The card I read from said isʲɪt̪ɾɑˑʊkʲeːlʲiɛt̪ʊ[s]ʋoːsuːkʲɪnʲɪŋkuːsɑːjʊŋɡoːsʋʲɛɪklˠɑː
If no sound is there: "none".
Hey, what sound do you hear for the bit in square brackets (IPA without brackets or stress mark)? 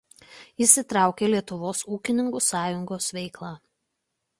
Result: none